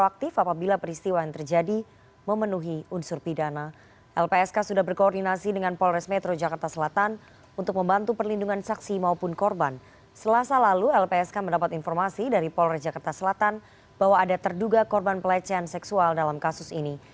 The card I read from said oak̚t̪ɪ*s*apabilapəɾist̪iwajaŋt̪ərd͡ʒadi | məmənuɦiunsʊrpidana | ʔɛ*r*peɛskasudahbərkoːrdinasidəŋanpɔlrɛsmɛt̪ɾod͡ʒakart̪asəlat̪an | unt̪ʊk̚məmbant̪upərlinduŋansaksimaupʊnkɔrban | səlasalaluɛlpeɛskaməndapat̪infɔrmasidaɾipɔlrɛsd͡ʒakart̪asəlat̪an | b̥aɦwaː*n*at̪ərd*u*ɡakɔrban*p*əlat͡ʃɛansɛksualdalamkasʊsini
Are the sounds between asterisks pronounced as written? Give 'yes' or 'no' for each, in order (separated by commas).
no, no, no, yes, yes